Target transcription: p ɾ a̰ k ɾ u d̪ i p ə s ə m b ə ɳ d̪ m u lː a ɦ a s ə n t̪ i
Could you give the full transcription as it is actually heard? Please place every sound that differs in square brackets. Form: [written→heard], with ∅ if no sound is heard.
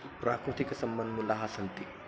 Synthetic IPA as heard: p ɾ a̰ k ɾ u [d̪→t̪] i [p→k] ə s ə m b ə [ɳ→n] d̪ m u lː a ɦ a s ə n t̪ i